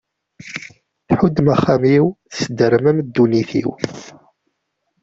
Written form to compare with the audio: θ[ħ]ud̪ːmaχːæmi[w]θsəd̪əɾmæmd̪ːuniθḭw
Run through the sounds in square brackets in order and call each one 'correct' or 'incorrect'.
correct, correct

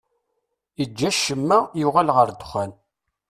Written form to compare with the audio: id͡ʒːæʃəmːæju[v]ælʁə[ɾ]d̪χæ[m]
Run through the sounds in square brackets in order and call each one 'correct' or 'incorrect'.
incorrect, correct, incorrect

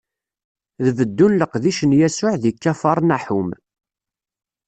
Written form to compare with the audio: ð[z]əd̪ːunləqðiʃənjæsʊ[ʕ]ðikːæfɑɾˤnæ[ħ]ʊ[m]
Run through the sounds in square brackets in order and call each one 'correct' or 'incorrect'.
incorrect, correct, correct, correct

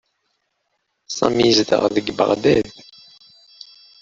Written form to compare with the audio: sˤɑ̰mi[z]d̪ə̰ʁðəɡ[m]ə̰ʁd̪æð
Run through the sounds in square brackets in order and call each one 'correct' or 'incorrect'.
correct, incorrect

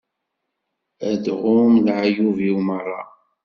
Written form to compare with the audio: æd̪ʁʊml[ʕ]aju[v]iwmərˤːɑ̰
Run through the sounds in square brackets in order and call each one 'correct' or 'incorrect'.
correct, correct

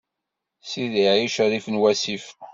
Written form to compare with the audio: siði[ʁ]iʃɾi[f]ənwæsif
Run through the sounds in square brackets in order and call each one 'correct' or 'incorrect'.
incorrect, correct

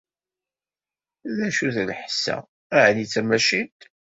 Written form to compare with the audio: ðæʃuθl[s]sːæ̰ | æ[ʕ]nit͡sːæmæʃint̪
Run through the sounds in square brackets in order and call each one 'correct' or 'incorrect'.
incorrect, correct

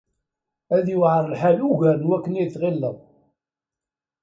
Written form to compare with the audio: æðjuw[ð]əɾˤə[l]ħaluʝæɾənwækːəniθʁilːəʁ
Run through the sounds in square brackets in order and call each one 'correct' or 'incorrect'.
incorrect, correct

